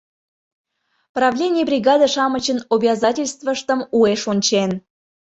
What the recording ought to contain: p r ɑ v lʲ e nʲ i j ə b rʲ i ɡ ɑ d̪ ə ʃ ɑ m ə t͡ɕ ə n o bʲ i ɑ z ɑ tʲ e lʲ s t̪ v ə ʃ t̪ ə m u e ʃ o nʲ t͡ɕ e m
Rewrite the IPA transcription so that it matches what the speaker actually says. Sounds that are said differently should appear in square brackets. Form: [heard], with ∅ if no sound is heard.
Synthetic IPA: p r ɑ v lʲ e nʲ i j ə b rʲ i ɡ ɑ d̪ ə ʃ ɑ m ə t͡ɕ ə n o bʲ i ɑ z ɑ tʲ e lʲ s t̪ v ə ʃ t̪ ə m u e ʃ o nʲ t͡ɕ e [n]